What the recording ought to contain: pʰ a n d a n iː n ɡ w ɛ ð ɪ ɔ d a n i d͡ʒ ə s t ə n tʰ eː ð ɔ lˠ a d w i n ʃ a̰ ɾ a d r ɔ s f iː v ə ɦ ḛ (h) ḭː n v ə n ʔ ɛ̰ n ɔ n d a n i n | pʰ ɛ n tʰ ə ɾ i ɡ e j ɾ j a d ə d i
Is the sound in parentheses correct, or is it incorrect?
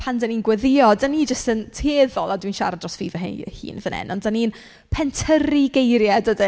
correct